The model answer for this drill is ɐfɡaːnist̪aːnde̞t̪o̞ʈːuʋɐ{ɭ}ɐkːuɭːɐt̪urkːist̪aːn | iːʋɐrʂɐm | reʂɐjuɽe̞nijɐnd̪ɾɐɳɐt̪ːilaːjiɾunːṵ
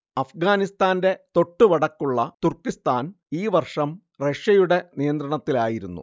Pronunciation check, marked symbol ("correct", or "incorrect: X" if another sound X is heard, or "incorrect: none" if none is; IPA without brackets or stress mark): incorrect: ɽ